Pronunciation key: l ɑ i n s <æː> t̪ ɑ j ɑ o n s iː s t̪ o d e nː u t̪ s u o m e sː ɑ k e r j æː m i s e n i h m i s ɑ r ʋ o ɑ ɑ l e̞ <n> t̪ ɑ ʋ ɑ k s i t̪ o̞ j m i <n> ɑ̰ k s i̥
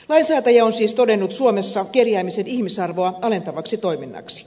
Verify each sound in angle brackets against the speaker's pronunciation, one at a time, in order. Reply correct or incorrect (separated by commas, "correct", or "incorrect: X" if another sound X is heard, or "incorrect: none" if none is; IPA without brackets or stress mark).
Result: correct, correct, incorrect: nː